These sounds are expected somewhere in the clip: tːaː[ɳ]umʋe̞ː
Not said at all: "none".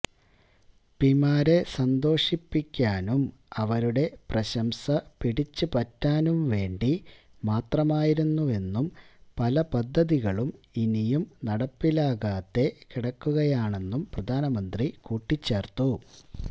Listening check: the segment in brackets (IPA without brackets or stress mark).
n